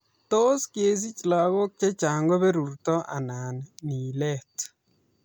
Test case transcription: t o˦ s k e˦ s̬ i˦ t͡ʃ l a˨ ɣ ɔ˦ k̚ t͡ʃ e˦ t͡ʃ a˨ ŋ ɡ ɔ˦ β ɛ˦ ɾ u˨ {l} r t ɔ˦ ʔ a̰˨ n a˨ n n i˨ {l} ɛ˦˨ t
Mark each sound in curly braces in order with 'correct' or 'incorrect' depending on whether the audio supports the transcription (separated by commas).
incorrect, correct